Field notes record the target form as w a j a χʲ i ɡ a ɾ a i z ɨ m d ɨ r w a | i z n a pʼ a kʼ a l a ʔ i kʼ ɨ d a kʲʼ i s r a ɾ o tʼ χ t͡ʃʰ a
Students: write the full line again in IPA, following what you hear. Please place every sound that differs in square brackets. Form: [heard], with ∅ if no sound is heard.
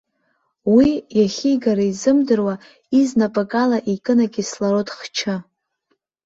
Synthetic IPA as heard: w [i] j a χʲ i ɡ a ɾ a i z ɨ m d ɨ r w a | i z n a pʼ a kʼ a l a ʔ i kʼ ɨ [n] a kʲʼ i s [l] a ɾ o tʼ χ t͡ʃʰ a